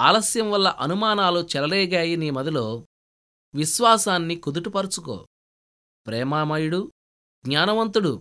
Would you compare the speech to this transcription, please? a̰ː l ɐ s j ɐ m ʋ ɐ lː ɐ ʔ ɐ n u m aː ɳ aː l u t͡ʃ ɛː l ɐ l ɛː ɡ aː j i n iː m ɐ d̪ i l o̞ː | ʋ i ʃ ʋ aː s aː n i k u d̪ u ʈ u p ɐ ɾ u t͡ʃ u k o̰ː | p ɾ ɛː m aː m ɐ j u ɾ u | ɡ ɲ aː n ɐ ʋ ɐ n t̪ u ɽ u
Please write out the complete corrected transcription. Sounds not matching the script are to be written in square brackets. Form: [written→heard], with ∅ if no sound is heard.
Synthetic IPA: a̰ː l ɐ s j ɐ m ʋ ɐ lː ɐ ʔ ɐ n u m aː [ɳ→n] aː l u t͡ʃ [ɛː→ɛ] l ɐ l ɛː ɡ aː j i n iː m ɐ d̪ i l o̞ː | ʋ i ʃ ʋ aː s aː [n→nː] i k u d̪ u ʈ u p ɐ ɾ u t͡ʃ u k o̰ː | p ɾ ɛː m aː m ɐ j u [ɾ→ɽ] u | ɡ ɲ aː n ɐ ʋ ɐ n t̪ u ɽ u